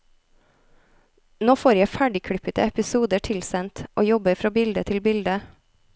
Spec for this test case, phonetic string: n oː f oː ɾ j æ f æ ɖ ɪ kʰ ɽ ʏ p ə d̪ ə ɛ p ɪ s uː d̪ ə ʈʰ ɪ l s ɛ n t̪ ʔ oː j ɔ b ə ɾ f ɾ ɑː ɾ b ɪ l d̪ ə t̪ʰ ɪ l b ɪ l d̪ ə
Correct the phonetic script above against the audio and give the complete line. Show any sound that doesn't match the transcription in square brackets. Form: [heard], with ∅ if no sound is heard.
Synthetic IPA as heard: n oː f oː ɾ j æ f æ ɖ ɪ kʰ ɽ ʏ p ə [t̪] ə ɛ p ɪ s uː d̪ ə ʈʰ ɪ l s ɛ n t̪ ʔ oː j ɔ b ə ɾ f ɾ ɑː [∅] b ɪ l d̪ ə t̪ʰ ɪ l b ɪ l d̪ ə